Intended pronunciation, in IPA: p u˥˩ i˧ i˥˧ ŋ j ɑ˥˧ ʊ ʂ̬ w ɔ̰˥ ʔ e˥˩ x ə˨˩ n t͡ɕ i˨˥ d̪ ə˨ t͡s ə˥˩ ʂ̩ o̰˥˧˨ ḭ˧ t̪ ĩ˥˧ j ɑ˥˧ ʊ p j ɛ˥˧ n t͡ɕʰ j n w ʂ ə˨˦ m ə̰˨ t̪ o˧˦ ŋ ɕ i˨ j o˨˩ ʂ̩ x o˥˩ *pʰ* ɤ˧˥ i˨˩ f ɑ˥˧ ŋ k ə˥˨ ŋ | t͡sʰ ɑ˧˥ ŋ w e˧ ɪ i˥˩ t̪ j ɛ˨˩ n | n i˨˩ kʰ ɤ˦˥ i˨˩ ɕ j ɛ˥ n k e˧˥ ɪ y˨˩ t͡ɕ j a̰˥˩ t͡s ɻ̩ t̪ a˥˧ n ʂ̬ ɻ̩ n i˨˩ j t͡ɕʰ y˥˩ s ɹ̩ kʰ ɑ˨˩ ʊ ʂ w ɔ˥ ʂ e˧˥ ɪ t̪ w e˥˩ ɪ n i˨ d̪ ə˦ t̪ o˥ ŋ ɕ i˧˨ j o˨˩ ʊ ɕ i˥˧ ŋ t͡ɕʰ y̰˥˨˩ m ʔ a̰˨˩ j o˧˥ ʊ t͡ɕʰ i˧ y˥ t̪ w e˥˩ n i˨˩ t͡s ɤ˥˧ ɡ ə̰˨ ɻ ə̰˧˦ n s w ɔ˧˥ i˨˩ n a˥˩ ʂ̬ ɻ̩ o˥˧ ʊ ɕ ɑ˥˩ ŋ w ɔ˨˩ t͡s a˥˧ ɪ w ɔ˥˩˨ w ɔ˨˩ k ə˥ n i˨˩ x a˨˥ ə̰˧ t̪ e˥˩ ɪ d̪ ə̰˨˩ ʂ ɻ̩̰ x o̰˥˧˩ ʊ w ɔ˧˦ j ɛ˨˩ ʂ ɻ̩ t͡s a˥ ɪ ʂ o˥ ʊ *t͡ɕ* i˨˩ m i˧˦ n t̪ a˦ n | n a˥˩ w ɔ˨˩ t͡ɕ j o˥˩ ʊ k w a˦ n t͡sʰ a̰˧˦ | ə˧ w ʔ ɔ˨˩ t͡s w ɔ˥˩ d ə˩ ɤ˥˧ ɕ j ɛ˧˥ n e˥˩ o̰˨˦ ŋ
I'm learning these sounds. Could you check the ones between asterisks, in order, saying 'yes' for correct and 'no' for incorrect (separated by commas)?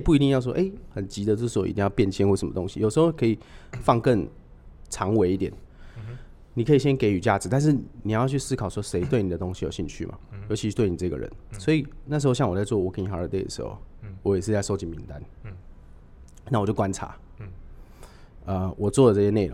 no, yes